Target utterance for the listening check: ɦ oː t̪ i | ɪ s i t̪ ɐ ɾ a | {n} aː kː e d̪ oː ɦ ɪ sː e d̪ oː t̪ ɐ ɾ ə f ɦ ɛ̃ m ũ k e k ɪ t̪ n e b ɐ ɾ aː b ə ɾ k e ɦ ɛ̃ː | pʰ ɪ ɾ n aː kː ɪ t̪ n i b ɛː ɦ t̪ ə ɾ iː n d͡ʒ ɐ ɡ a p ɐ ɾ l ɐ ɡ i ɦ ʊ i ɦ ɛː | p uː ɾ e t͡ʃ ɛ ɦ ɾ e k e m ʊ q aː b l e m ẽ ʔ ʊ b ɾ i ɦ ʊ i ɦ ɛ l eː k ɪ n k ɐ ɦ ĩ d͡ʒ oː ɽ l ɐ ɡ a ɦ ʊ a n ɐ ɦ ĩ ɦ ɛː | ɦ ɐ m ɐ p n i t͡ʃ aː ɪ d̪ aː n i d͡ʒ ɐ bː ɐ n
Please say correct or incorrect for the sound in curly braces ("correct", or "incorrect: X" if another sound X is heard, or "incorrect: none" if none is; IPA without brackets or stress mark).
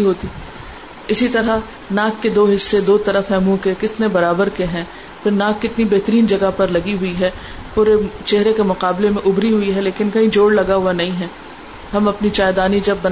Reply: correct